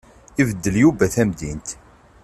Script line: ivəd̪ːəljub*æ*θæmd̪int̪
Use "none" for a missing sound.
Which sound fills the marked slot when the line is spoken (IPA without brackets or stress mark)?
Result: æ